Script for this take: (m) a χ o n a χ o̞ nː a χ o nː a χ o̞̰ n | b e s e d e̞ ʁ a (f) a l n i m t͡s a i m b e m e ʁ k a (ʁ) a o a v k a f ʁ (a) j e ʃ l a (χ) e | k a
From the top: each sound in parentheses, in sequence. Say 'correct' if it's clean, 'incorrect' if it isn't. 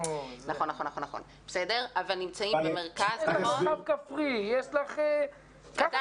incorrect: n, incorrect: v, incorrect: z, incorrect: i, correct

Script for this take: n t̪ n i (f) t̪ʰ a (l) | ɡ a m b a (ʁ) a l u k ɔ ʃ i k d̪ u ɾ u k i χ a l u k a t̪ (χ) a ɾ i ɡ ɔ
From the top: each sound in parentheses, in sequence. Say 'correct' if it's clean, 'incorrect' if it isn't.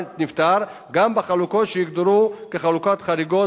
correct, incorrect: ɾ, incorrect: χ, correct

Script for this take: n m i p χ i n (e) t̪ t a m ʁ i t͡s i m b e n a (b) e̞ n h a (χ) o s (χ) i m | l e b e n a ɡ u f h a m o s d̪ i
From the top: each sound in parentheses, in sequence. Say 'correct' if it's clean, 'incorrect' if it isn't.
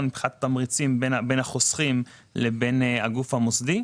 incorrect: a, correct, correct, correct

